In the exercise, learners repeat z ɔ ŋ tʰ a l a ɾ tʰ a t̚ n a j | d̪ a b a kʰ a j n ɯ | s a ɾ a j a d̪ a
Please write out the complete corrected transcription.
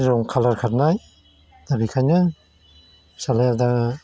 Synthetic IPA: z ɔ ŋ kʰ a l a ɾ kʰ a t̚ n a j | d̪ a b i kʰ a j n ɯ | s a l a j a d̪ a